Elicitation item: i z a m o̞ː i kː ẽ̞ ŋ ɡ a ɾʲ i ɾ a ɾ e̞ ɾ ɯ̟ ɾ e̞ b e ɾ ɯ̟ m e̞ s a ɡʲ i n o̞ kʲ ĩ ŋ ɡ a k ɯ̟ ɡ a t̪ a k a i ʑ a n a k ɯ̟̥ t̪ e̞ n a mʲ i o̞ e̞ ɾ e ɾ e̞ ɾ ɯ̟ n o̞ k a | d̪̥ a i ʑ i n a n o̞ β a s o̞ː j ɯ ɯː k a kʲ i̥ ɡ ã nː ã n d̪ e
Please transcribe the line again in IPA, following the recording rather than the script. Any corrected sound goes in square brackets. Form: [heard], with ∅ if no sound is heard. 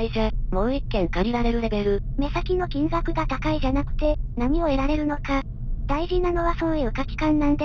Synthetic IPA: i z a m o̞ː i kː ẽ̞ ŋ [k] a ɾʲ i ɾ a ɾ e̞ ɾ ɯ̟ ɾ e̞ b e ɾ ɯ̟ m e̞ s a [kʲ] i n o̞ kʲ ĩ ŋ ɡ a k ɯ̟ ɡ a t̪ a k a i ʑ a n a k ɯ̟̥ t̪ e̞ n a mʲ i o̞ e̞ ɾ [a] ɾ e̞ ɾ ɯ̟ n o̞ k a | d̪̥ a i ʑ i n a n o̞ β a s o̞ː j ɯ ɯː k a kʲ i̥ [k] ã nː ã n d̪ e